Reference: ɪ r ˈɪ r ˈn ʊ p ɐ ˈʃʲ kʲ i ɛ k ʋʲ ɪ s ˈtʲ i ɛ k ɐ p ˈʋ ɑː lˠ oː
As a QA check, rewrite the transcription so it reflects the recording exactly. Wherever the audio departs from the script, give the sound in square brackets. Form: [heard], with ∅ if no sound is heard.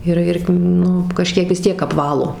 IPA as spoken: ɪ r ˈɪ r ˈn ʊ [k] ɐ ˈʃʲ kʲ i ɛ k ʋʲ ɪ s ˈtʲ i ɛ k ɐ p ˈʋ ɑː lˠ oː